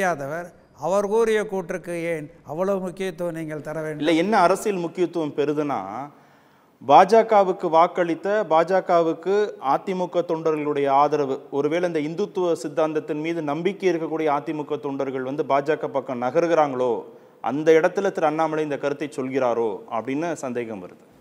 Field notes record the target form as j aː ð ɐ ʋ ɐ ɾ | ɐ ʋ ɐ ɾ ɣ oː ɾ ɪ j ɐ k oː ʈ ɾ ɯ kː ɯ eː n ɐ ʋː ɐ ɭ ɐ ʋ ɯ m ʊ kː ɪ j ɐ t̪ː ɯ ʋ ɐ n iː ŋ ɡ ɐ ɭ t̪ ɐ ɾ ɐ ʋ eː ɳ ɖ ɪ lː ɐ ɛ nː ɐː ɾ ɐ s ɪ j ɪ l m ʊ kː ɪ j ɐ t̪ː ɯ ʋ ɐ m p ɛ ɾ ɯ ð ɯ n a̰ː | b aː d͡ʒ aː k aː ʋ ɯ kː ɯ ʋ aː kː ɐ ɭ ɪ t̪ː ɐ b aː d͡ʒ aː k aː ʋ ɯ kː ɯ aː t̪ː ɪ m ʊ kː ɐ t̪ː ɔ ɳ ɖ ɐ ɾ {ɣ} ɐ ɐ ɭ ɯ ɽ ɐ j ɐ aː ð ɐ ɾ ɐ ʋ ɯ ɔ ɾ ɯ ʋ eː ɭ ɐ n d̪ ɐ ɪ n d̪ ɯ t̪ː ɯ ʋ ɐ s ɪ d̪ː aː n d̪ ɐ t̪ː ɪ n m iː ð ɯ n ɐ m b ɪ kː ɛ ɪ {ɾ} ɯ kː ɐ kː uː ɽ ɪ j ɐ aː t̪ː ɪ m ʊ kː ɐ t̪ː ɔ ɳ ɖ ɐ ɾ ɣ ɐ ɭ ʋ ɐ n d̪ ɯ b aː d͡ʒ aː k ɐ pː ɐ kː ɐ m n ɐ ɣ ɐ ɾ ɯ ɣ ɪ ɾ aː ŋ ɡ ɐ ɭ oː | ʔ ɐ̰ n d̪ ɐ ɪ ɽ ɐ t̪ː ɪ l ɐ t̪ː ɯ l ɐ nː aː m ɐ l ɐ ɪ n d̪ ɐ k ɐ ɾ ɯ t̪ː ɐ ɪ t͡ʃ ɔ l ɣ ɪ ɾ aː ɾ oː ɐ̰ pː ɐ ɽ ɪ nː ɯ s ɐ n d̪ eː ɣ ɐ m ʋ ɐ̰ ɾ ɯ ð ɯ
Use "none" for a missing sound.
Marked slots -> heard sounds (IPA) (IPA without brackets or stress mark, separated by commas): ɣ, ɾ